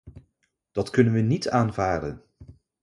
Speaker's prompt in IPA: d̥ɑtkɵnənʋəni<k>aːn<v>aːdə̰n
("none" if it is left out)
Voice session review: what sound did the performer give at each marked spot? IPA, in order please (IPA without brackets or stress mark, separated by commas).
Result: t, v